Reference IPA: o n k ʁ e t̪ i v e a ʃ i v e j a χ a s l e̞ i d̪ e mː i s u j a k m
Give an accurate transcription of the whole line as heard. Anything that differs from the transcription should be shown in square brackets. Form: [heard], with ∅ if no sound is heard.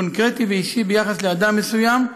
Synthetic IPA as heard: o n k ʁ e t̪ i v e [i] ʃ i [b] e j a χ a s l e̞ [a] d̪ [a] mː [e] s u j a [∅] m